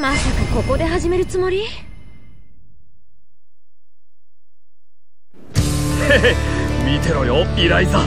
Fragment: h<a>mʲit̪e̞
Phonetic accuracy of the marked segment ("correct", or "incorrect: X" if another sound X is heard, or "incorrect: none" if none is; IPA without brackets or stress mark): incorrect: e